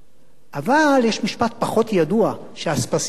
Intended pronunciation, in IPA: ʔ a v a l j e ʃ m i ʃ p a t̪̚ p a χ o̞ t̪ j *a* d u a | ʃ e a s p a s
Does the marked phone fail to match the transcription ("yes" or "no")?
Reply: no